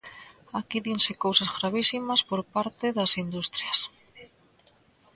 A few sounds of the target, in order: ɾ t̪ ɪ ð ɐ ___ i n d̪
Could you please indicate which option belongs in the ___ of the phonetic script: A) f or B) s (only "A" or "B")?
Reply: B